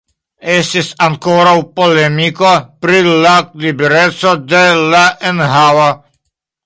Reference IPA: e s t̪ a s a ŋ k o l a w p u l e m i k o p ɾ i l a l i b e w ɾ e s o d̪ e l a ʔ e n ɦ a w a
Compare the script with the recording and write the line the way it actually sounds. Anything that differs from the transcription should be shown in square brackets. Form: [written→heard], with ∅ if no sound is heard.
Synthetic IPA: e s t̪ [a→i] s a ŋ k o [l→ɾ] a w p [u→o] l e m i k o p ɾ i l a l i b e [w→∅] ɾ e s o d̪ e l a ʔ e n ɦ a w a